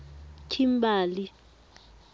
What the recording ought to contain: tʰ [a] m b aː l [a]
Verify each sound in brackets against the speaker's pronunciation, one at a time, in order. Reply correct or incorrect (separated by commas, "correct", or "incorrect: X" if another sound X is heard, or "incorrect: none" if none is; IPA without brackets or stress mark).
incorrect: i, incorrect: i